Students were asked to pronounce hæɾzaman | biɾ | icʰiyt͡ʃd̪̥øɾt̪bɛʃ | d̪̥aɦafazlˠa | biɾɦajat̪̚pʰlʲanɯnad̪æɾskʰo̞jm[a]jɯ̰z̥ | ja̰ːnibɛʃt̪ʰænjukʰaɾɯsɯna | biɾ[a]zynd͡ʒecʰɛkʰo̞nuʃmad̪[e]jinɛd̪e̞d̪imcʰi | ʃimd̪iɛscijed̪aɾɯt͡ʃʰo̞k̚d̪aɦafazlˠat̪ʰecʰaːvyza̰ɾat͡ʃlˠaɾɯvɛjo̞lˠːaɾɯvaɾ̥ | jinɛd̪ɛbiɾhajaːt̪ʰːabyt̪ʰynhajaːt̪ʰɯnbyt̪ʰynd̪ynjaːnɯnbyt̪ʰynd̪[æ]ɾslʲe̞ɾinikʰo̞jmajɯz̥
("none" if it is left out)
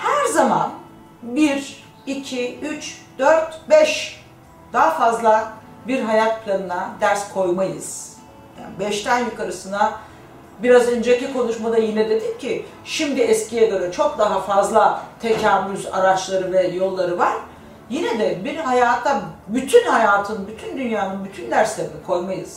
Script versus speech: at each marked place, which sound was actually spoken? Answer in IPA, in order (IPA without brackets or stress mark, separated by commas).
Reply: a, a, a, æ